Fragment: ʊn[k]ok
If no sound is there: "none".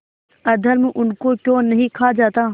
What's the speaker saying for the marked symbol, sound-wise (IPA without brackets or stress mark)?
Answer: k